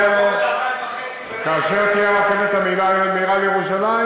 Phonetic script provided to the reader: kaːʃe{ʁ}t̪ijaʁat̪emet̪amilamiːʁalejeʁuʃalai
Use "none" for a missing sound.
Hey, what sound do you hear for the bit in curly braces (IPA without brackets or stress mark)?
ʁ